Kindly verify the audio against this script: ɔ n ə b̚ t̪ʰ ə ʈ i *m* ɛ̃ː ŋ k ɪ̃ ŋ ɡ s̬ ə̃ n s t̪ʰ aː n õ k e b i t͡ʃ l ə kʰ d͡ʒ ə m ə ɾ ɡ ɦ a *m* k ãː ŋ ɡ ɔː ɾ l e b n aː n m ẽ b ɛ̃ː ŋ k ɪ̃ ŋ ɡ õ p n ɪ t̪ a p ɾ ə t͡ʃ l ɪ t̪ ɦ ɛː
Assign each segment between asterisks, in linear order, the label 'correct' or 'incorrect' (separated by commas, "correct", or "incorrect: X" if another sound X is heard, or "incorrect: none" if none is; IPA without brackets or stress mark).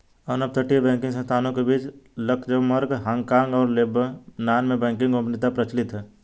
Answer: incorrect: b, incorrect: ŋ